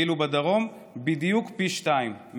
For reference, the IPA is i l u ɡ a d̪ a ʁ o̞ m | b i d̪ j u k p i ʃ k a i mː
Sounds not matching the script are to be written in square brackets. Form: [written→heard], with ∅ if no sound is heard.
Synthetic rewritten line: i l u [ɡ→b] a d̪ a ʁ o̞ m | b i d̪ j u k p i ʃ [k→t] a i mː